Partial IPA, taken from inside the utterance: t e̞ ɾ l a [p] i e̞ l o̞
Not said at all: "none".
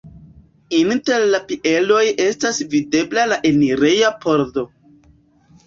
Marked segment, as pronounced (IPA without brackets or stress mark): p